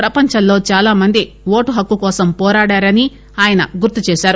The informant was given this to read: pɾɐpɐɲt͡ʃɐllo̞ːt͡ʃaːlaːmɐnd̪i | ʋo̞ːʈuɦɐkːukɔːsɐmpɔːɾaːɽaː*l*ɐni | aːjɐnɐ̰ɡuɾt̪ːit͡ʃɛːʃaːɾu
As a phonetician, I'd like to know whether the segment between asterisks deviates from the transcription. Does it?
yes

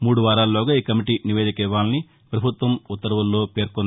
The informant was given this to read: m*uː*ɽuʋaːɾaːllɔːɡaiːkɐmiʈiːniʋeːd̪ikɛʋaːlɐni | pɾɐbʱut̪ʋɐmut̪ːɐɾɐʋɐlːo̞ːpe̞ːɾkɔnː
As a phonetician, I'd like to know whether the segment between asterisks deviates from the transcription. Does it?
no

